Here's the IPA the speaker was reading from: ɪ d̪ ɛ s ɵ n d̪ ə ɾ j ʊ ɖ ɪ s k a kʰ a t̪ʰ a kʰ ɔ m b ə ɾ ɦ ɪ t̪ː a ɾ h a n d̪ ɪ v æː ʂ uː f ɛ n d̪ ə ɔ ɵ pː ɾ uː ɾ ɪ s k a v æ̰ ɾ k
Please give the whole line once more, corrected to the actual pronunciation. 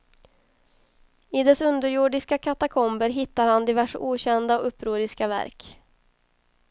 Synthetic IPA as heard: ɪ d̪ ɛ s ɵ n d̪ ə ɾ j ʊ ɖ ɪ s k a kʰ a t̪ a kʰ ɔ m b ə ɾ ɦ ɪ t̪ː a ɾ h a n d̪ ɪ v æ ʂ uː ɕ ɛ n d̪ a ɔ ɵ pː ɾ uː ɾ ɪ s k a v æ̰ ɾ k